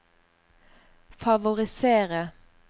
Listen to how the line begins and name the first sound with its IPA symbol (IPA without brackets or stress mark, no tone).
f